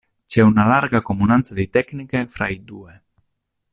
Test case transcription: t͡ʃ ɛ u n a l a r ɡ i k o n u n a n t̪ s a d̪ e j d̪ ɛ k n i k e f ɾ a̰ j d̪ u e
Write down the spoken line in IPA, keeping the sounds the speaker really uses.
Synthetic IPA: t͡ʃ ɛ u n a l a ɾ ɡ a k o m u n a n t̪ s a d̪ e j t̪ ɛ k n i k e f ɾ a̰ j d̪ u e